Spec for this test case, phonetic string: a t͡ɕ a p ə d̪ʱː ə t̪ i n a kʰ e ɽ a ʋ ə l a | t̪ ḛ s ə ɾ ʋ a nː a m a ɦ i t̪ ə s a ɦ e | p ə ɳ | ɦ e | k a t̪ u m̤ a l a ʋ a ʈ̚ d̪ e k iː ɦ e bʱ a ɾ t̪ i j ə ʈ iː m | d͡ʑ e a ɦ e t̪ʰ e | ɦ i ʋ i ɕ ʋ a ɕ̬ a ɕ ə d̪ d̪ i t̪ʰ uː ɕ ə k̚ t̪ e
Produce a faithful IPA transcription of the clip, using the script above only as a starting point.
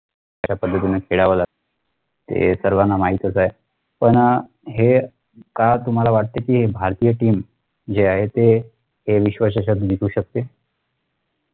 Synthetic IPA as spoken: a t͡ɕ a p ə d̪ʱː ə t̪ i n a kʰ e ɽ a ʋ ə l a | t̪ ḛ s ə ɾ ʋ a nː a m a ɦ i t̪ ə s a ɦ e | p ə ɳ | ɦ e | k a t̪ u m̤ a l a ʋ a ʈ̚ t̪ e k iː ɦ e bʱ a ɾ t̪ i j ə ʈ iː m | d͡ʑ e a ɦ e t̪ e | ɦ e ʋ i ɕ ʋ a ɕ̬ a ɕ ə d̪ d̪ i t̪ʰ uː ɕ ə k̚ t̪ e